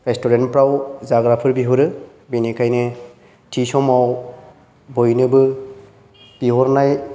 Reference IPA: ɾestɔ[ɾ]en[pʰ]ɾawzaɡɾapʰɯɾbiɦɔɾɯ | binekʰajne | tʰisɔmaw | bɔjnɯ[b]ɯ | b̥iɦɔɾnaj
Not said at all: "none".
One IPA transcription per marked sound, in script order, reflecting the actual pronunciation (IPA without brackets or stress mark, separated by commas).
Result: ɾ, p, b